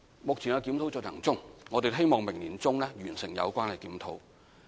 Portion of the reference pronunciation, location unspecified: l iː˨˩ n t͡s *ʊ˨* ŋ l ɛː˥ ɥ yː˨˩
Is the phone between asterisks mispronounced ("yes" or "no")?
yes